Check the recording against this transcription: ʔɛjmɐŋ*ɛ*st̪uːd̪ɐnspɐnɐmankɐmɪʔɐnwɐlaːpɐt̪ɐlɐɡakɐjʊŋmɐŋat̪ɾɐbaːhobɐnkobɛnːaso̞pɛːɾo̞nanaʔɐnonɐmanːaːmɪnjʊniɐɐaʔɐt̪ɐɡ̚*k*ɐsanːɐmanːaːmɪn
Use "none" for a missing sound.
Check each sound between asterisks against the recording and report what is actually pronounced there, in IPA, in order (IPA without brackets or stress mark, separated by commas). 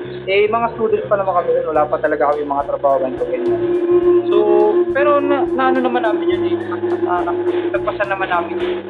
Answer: a, p